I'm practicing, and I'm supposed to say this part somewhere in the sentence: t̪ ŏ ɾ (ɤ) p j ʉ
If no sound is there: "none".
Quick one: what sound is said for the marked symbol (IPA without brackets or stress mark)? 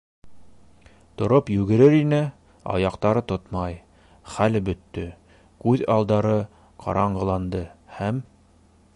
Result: o